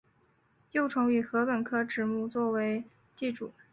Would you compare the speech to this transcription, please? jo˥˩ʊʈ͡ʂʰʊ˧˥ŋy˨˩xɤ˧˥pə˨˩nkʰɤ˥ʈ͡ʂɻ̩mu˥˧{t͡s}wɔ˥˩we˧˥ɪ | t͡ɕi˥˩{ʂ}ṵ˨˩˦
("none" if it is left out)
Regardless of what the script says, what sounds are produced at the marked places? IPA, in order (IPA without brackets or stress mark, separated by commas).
t͡s, ʈ͡ʂ